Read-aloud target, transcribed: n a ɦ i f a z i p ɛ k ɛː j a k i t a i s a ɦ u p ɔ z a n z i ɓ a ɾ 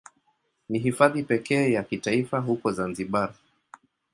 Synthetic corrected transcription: n i ɦ i f a ð i p ɛ k ɛː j a k i t a i f a ɦ u k ɔ z a n z i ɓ a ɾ